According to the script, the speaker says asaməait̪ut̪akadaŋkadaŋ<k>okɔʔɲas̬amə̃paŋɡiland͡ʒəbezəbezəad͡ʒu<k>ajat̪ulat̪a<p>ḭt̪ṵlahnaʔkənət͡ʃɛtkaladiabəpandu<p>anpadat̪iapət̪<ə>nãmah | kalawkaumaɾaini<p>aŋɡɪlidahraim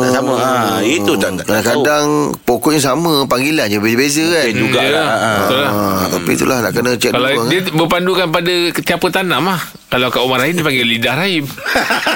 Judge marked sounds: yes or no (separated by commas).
no, no, yes, no, no, yes